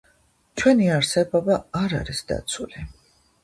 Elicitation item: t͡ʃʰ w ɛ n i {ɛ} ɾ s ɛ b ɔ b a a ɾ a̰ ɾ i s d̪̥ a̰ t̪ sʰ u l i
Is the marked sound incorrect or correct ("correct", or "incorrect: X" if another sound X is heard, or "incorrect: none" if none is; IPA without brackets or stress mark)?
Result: incorrect: a